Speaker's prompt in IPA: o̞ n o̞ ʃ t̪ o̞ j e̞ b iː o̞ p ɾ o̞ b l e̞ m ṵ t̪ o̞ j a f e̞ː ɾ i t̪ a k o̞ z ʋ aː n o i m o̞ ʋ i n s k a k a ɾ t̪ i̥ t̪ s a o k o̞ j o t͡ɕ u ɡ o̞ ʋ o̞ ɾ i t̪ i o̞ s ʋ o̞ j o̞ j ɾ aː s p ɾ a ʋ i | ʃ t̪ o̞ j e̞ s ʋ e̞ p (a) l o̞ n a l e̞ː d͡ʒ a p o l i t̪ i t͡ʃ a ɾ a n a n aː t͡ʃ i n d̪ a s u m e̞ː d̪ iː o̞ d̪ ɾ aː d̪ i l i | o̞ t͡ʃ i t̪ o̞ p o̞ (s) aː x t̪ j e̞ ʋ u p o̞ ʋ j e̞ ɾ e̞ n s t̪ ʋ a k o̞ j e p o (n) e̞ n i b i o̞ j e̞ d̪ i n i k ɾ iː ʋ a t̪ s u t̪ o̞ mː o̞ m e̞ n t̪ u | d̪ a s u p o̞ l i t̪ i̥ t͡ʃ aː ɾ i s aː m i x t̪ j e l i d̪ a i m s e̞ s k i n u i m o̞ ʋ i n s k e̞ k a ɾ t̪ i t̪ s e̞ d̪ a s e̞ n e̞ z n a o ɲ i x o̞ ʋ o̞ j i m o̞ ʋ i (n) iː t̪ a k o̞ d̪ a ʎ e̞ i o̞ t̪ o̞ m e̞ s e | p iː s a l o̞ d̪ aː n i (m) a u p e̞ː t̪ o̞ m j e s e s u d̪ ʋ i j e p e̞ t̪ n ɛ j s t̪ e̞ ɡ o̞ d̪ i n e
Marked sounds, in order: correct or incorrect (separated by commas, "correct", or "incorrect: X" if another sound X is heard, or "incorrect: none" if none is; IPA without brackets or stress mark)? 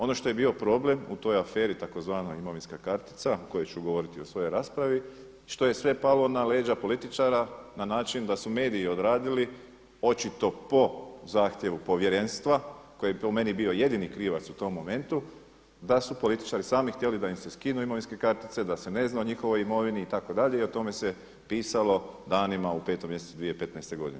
correct, incorrect: z, incorrect: m, correct, correct